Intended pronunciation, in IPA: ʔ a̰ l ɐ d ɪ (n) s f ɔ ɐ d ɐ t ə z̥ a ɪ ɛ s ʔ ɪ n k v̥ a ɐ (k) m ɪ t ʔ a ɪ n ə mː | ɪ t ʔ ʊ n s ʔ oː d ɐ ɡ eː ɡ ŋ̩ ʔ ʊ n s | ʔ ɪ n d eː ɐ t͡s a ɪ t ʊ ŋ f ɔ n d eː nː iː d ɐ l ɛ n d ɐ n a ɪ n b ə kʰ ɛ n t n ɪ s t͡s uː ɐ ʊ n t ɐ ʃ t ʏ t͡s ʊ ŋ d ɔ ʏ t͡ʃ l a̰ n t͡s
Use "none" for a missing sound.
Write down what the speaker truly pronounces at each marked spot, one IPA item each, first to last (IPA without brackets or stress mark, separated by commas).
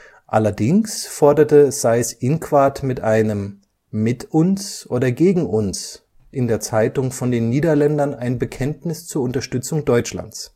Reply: ŋ, t